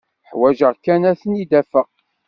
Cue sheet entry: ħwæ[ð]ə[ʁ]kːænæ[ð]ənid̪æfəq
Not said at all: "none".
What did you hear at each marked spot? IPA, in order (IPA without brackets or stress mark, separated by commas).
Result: ʒ, ʁ, θ